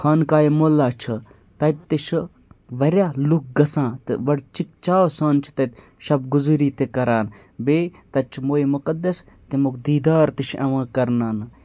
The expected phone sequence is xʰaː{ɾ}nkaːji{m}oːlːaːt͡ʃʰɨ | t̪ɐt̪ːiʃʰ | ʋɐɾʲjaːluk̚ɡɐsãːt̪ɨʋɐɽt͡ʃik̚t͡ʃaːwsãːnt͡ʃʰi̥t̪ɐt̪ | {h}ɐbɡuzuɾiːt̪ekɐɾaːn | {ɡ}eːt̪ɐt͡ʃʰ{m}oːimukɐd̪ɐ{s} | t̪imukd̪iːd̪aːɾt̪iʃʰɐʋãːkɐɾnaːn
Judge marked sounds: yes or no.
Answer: no, yes, no, no, yes, yes

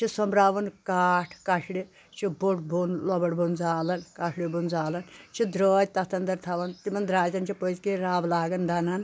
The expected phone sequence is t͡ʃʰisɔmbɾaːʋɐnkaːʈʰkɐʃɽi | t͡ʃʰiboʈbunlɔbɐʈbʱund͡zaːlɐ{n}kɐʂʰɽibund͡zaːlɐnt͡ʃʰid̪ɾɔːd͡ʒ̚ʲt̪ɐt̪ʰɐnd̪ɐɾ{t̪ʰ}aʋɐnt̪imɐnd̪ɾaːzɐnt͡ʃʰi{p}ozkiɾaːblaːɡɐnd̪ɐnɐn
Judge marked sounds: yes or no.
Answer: yes, yes, yes

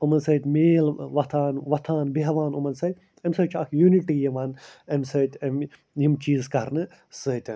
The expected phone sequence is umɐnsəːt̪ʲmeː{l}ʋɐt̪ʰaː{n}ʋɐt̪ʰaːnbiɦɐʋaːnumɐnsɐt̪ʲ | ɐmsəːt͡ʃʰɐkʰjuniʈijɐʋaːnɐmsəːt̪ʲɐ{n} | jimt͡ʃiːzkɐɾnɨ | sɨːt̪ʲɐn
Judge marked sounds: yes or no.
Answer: yes, yes, no

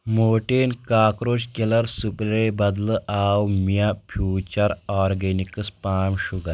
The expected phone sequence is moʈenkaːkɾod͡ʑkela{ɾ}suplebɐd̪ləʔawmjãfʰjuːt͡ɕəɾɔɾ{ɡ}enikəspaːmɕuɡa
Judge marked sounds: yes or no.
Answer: yes, yes

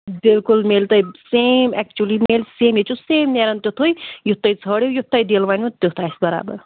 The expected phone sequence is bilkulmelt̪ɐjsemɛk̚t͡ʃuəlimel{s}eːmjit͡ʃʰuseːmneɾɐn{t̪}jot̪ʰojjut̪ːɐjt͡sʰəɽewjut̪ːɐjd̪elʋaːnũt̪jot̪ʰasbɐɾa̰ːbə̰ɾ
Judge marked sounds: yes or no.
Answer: yes, yes

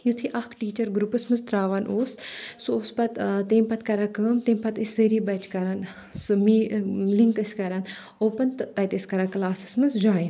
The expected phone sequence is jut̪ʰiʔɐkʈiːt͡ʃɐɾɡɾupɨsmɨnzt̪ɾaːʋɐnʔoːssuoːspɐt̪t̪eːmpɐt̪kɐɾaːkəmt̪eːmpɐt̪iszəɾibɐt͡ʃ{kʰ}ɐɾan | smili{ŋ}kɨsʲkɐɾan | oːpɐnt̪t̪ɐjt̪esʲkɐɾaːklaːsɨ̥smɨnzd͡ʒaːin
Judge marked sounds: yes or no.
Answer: no, yes

